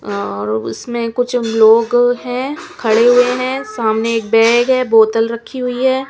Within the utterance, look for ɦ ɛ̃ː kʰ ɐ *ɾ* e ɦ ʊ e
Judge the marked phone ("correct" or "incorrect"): incorrect